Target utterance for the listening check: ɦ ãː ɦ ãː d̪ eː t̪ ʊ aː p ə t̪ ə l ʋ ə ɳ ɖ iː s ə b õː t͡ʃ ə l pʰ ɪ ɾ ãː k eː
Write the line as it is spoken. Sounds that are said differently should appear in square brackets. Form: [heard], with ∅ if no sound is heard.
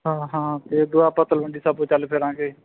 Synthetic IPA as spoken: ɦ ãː ɦ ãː [t̪] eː [d̪] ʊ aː p ə t̪ ə l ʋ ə ɳ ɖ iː s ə b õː t͡ʃ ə l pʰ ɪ ɾ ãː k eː

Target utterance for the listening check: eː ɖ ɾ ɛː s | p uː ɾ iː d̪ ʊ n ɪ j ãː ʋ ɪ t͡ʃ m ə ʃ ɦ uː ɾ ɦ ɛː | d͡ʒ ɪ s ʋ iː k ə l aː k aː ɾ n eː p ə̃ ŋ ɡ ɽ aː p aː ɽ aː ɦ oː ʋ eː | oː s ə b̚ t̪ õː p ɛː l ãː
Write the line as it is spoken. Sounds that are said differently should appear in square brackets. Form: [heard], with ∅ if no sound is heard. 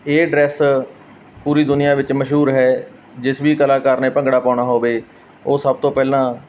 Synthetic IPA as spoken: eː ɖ ɾ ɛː s | p uː ɾ iː d̪ ʊ n ɪ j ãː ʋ ɪ t͡ʃ m ə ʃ ɦ uː ɾ ɦ ɛː | d͡ʒ ɪ s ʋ iː k ə l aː k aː ɾ n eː p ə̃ ŋ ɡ ɽ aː p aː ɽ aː ɦ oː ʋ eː | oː s ə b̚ t̪ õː p ɛː l ãː

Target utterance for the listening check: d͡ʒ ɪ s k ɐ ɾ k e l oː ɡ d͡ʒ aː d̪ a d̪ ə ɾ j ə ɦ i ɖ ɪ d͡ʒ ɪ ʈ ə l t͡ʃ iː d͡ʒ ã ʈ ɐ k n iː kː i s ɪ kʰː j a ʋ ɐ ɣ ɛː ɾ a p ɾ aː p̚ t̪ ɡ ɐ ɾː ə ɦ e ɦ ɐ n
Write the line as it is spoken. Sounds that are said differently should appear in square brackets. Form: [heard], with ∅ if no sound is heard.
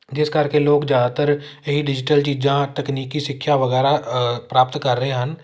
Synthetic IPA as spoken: d͡ʒ ɪ s k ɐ ɾ k e l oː ɡ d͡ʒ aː d̪ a [t̪] ə ɾ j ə ɦ i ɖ ɪ d͡ʒ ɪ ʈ ə l t͡ʃ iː d͡ʒ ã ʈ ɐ k n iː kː i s ɪ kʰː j a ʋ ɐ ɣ ɛː ɾ a p ɾ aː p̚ t̪ [k] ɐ ɾː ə ɦ e ɦ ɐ n

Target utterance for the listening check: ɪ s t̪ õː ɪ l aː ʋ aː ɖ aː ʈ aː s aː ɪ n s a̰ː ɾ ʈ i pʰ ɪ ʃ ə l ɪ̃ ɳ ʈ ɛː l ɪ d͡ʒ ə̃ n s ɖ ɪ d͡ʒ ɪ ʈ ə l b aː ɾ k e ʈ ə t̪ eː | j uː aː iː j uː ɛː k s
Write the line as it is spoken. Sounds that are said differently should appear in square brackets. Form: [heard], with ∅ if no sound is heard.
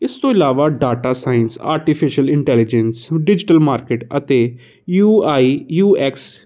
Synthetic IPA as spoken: ɪ s t̪ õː ɪ l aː ʋ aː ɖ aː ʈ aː s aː ɪ n s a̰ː ɾ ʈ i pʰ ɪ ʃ ə l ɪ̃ ɳ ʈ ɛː l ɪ d͡ʒ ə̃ n s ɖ ɪ d͡ʒ ɪ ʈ ə l [m] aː ɾ k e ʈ ə t̪ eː | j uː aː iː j uː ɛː k s

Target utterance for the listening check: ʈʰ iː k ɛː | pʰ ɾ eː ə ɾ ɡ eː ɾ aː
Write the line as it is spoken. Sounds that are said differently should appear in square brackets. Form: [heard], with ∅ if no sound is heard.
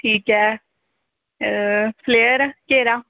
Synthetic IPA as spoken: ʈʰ iː k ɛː | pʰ [l] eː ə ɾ [k] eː ɾ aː

